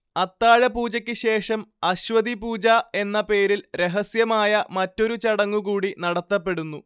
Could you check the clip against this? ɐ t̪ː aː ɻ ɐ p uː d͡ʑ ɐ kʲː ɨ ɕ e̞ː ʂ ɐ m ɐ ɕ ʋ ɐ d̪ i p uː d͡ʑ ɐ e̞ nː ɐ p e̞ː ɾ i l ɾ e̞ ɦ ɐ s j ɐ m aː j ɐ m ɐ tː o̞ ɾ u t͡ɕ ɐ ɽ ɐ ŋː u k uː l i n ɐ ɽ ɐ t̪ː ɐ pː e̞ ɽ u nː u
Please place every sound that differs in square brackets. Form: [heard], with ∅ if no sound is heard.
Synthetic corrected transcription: ɐ t̪ː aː ɻ ɐ p uː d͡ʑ ɐ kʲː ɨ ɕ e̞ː ʂ ɐ m ɐ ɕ ʋ ɐ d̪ i p uː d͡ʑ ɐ e̞ nː ɐ p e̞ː ɾ i l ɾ e̞ ɦ ɐ s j ɐ m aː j ɐ m ɐ tː o̞ ɾ u t͡ɕ ɐ ɽ ɐ ŋː u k uː [ɽ] i n ɐ ɽ ɐ t̪ː ɐ pː e̞ ɽ u nː u

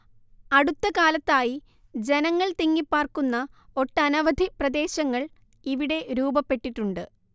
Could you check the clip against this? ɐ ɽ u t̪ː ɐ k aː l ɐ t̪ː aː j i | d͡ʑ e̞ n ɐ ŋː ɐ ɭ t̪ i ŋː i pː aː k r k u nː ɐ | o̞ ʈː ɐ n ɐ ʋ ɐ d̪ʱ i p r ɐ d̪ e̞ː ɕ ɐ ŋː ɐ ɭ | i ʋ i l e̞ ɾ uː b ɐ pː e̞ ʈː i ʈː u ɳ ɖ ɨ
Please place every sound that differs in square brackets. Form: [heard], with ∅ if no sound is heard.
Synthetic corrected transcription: ɐ ɽ u t̪ː ɐ k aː l ɐ t̪ː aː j i | d͡ʑ e̞ n ɐ ŋː ɐ ɭ t̪ i ŋː i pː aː [∅] r k u nː ɐ | o̞ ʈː ɐ n ɐ ʋ ɐ d̪ʱ i p r ɐ d̪ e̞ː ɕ ɐ ŋː ɐ ɭ | i ʋ i [ɽ] e̞ ɾ uː b ɐ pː e̞ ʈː i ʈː u ɳ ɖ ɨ

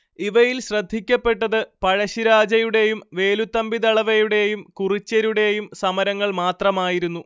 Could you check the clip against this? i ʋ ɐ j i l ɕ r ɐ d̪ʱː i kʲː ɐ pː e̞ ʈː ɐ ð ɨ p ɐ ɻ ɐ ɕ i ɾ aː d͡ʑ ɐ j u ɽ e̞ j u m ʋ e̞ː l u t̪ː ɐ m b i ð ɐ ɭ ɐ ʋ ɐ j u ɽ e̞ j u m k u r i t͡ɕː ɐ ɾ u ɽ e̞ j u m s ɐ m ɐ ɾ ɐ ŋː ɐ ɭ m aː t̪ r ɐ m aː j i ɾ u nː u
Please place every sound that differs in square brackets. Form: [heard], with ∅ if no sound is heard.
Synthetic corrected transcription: i ʋ ɐ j i l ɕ r ɐ d̪ʱː i kʲː ɐ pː e̞ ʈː ɐ ð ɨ p ɐ ɻ ɐ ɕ i ɾ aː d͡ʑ ɐ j u ɽ e̞ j u m ʋ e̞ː l u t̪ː ɐ m b i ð ɐ ɭ ɐ ʋ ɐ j u ɽ e̞ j u m k u r i t͡ɕː ɐ ɾ u ɽ e̞ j u m s ɐ m ɐ ɾ ɐ ŋː ɐ ɭ m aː t̪ r ɐ m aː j i ɾ u nː u

